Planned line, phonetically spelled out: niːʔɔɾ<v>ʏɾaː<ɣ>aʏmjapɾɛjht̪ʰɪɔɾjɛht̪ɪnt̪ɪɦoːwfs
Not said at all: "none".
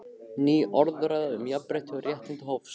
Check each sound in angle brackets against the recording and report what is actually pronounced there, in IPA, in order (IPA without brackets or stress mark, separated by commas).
ð, ð